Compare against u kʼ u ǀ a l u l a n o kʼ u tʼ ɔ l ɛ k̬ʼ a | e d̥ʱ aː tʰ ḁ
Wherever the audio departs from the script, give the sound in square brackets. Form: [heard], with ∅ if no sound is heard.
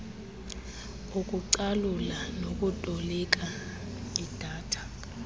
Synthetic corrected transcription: u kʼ u ǀ a l u l a n o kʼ u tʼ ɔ l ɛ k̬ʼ a | [i] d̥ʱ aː tʰ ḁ